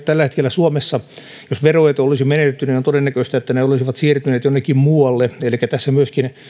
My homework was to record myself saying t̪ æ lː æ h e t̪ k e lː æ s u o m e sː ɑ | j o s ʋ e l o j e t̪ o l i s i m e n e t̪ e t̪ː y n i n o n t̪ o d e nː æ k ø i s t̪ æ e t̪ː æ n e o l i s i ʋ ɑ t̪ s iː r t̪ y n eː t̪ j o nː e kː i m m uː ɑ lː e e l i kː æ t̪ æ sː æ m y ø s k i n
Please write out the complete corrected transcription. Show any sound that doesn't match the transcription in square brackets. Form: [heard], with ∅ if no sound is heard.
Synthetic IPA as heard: t̪ æ lː æ h e t̪ k e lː æ s u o m e sː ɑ | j o s ʋ e [r] o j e t̪ o l i s i m e n e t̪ e t̪ː y n i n o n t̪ o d e nː æ k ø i s t̪ æ e t̪ː æ n e o l i s i ʋ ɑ t̪ s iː r t̪ y n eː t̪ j o nː e kː i m m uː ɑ lː e e l i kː æ t̪ æ sː æ m y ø s k i n